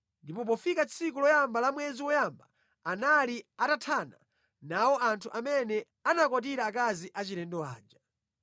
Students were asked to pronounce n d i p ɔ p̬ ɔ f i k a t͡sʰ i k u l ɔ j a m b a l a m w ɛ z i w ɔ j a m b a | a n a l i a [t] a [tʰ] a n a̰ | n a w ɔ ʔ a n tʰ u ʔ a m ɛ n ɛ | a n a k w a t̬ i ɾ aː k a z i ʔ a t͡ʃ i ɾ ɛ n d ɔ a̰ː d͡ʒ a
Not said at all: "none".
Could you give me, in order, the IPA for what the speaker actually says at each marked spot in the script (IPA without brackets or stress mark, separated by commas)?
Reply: t, tʰ